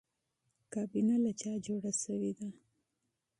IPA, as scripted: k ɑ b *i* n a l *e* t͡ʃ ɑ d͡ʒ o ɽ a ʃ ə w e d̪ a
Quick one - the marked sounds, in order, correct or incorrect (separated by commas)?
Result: correct, incorrect